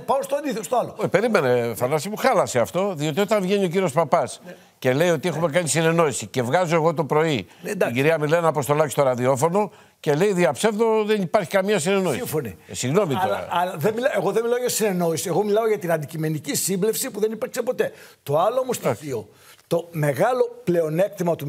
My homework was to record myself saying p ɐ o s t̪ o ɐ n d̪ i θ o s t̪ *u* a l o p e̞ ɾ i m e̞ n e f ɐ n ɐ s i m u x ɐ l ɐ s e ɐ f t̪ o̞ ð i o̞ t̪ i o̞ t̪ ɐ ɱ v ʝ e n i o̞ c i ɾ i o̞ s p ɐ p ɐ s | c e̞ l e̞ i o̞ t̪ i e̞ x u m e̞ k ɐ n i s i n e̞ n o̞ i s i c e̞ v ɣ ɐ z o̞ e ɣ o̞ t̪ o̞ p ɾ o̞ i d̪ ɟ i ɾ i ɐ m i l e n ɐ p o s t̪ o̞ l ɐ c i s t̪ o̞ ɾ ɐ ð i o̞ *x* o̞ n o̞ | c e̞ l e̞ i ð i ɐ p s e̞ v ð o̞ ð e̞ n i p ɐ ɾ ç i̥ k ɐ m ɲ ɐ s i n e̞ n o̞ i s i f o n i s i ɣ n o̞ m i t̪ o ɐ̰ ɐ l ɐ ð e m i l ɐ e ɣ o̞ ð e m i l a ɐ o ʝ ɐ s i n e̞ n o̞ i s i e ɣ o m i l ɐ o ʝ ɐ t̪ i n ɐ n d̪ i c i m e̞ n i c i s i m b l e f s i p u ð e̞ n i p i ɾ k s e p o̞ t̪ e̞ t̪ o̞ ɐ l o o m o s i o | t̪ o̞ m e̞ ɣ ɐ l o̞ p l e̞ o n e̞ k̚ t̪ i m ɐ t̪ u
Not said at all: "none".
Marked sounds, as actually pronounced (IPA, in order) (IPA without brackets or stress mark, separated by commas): o, f